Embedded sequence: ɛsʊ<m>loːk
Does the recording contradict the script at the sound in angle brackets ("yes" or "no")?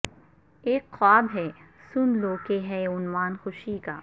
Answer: yes